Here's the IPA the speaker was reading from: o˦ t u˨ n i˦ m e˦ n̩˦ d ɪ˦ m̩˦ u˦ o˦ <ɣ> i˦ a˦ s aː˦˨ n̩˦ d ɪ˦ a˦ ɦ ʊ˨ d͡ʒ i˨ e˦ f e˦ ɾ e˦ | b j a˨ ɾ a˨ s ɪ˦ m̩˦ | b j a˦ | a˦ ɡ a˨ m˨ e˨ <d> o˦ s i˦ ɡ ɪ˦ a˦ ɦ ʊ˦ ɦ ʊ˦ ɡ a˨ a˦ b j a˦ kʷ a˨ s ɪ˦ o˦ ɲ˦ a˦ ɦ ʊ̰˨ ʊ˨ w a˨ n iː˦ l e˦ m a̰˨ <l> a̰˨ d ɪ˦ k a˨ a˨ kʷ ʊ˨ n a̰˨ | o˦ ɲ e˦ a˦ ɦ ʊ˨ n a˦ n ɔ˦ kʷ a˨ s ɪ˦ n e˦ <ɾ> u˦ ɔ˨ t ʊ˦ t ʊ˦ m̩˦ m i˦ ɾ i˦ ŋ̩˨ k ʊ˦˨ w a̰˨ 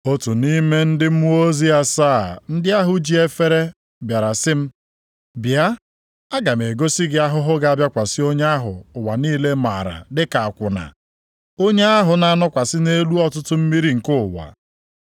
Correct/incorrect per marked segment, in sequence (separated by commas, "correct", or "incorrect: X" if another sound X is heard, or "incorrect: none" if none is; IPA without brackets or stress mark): incorrect: z, incorrect: ɡ, incorrect: ɾ, incorrect: l